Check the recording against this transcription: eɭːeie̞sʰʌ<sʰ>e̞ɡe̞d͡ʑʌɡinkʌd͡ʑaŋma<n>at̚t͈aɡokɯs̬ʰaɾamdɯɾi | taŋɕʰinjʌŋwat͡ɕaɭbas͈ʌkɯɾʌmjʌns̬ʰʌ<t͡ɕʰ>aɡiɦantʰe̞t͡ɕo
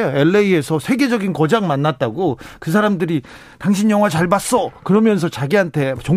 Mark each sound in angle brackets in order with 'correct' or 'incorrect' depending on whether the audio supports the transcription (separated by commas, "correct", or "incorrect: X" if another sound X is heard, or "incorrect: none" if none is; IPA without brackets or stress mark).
correct, incorrect: nː, incorrect: t͡ɕ